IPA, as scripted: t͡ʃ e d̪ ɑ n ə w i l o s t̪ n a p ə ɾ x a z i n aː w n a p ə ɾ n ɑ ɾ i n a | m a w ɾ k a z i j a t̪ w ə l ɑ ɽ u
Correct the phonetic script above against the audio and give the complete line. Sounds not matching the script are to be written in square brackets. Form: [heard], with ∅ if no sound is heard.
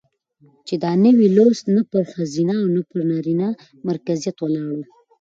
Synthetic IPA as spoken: t͡ʃ e d̪ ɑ n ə w i l o s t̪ n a p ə ɾ x a z i n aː w n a p ə ɾ n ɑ ɾ i n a | m a [∅] ɾ k a z i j a t̪ w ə l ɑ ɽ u